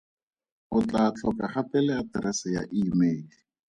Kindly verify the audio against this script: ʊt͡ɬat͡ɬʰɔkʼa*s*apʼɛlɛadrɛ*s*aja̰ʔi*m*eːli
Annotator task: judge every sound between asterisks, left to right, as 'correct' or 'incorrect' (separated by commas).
incorrect, correct, correct